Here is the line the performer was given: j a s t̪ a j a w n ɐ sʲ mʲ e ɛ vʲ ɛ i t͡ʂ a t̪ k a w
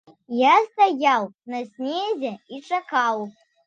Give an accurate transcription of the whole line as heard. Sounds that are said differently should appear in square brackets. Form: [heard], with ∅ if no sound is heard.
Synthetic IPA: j a s t̪ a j a w n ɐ sʲ [nʲ] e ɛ [zʲ] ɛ i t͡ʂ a [∅] k a w